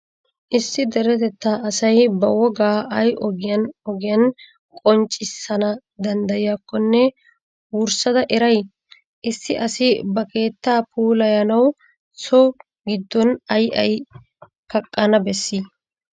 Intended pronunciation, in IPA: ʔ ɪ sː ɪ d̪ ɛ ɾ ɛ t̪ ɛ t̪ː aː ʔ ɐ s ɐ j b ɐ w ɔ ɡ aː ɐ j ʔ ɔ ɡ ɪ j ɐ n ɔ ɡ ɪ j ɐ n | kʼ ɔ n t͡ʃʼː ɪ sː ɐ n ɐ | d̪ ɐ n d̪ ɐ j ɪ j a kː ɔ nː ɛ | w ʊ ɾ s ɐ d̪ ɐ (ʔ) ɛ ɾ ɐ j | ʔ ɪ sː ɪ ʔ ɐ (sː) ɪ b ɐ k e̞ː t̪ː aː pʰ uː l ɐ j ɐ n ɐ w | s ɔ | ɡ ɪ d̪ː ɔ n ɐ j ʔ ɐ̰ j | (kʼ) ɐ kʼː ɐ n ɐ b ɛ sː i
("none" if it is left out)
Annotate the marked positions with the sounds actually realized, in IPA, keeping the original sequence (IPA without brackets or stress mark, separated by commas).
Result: ʔ, s, k